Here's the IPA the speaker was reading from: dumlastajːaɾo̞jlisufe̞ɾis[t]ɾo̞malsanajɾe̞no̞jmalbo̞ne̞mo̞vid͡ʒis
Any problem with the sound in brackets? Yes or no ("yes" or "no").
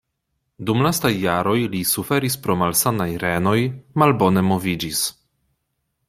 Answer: yes